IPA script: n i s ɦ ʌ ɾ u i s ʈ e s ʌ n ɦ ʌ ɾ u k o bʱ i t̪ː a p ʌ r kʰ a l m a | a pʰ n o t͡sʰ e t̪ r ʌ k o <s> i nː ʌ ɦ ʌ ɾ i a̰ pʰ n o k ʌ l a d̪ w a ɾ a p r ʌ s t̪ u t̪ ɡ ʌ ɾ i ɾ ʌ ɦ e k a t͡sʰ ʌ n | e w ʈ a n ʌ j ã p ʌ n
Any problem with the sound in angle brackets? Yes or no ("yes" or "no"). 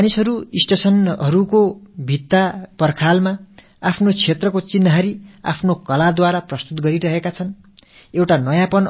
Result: yes